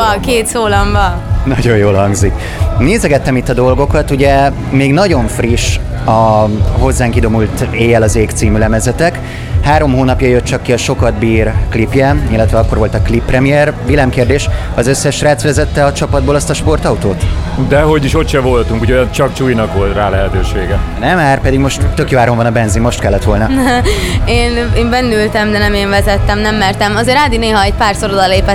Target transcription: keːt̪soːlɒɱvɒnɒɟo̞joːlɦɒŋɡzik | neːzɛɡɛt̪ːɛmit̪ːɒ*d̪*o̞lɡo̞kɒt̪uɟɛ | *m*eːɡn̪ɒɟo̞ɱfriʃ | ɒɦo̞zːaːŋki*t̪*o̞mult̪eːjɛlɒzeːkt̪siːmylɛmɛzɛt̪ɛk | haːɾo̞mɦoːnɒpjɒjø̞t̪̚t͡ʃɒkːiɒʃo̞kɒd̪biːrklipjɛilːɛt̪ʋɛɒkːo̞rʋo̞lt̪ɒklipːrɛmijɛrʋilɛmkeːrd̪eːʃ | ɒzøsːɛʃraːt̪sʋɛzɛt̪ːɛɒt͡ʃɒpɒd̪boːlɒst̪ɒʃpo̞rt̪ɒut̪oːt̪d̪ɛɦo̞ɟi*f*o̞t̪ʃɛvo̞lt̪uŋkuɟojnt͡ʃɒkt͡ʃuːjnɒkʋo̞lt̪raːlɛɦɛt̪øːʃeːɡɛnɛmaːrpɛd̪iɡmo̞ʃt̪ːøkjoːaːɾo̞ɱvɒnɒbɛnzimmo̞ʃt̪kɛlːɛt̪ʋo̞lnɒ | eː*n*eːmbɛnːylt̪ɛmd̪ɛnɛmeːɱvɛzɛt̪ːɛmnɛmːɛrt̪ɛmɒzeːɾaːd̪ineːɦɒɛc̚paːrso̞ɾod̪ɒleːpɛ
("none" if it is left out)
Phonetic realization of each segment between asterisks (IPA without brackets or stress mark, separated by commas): d̪, m, d̪, ʃ, n